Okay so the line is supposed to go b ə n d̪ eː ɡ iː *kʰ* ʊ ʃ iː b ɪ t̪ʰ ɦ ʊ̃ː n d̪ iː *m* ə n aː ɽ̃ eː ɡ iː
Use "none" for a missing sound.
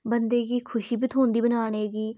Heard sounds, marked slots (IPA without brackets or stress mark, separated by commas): kʰ, b